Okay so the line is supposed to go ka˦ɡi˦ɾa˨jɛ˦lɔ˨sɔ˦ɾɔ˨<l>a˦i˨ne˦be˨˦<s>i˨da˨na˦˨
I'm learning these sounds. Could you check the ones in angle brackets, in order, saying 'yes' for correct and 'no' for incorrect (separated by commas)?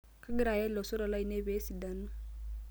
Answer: yes, yes